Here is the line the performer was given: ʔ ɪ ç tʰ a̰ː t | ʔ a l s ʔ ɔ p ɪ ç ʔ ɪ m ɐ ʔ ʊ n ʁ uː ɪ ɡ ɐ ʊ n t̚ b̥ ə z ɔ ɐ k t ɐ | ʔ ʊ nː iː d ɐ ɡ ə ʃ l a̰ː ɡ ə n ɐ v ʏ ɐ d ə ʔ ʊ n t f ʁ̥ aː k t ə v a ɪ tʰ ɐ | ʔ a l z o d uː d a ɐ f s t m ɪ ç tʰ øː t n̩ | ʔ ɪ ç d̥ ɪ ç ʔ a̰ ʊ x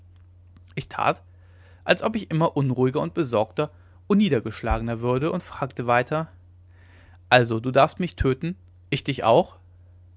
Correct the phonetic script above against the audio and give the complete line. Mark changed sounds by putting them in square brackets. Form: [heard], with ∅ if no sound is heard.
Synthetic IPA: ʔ ɪ ç tʰ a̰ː t | ʔ a l s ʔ ɔ p ɪ ç ʔ ɪ m ɐ ʔ ʊ n ʁ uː ɪ ɡ ɐ ʊ n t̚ b̥ ə z ɔ ɐ k t ɐ | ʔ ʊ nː iː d ɐ ɡ ə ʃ l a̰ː ɡ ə n ɐ v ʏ ɐ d ə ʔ ʊ n t f ʁ̥ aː k t ə v a ɪ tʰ ɐ | ʔ a l z o d uː d a ɐ f s t m ɪ ç tʰ øː t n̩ | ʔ ɪ ç d̥ ɪ ç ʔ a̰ ʊ x